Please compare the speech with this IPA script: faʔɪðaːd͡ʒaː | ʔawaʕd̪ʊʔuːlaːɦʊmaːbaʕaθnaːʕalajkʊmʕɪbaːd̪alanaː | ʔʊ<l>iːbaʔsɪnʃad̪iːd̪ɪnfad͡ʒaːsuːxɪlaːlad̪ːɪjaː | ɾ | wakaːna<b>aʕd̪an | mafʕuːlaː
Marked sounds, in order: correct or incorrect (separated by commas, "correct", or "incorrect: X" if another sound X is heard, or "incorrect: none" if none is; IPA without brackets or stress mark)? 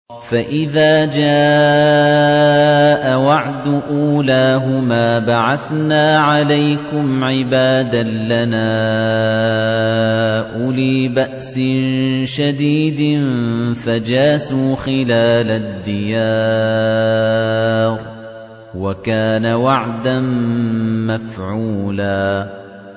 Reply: correct, incorrect: w